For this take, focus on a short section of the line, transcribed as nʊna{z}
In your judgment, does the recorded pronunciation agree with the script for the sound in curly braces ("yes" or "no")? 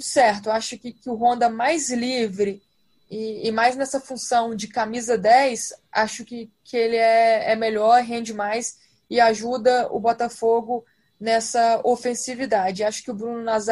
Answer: yes